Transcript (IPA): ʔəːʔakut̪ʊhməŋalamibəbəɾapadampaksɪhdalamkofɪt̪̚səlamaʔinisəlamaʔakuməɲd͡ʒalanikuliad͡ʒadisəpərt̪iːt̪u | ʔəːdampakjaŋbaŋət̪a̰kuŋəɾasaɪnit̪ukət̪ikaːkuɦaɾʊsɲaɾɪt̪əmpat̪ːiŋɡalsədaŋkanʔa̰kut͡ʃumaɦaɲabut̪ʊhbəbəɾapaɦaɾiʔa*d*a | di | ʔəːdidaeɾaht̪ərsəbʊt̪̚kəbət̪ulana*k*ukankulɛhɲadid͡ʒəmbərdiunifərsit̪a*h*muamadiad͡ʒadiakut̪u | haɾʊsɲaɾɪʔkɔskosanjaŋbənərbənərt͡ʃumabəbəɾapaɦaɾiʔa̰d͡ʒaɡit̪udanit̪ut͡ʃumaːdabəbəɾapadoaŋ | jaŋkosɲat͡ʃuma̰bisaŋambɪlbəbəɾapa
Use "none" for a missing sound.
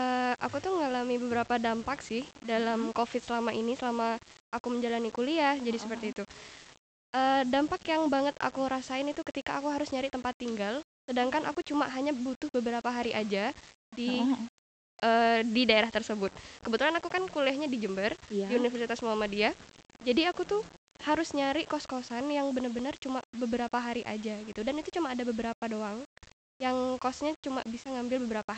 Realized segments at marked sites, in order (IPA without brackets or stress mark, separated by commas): d͡ʒ, k, s